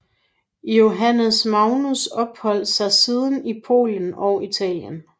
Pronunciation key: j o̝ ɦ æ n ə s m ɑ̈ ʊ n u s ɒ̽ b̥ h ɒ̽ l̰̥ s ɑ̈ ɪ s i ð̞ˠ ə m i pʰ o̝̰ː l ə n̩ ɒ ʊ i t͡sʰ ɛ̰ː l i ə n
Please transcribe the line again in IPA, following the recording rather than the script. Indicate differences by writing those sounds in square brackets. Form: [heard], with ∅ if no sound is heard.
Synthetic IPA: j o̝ ɦ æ n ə s m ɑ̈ ʊ n u s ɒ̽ b̥ h ɒ̽ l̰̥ s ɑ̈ ɪ s i ð̞ˠ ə [n] i pʰ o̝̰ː l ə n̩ ɒ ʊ i t͡sʰ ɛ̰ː l [j] ə n